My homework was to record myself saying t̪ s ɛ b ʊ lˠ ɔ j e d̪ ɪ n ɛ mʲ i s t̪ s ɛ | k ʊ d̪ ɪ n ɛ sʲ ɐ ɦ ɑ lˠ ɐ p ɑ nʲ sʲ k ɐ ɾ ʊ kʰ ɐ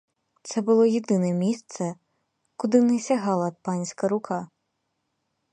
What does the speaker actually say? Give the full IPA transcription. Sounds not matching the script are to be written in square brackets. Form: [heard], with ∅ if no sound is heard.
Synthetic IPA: t̪ s ɛ b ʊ lˠ ɔ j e d̪ ɪ n ɛ mʲ i s t̪ s ɛ | k ʊ d̪ ɪ n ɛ sʲ ɐ ɦ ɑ lˠ ɐ p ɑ nʲ sʲ k ɐ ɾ ʊ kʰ [ɑ]